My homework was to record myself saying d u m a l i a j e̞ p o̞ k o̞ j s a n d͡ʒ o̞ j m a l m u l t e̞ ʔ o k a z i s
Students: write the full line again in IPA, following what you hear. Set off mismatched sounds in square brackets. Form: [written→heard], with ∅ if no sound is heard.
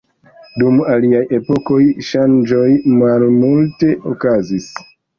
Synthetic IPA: d u m a l i a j e̞ p o̞ k o̞ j [s→ʃ] a n d͡ʒ o̞ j m a l m u l t e̞ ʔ o k a z i s